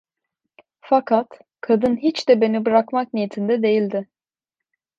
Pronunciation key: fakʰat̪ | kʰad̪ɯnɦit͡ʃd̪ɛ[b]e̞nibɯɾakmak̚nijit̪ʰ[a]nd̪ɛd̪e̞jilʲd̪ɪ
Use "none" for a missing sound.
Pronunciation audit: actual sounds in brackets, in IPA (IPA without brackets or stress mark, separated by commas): b, i